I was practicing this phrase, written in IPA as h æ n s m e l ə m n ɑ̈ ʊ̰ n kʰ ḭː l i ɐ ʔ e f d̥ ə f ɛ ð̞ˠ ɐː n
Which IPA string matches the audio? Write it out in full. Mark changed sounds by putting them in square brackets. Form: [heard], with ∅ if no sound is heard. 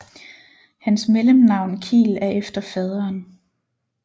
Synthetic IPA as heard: h æ n s m e l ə m n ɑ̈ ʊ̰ n kʰ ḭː l [æ] ɐ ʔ e f d̥ [ɐ] f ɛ ð̞ˠ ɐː n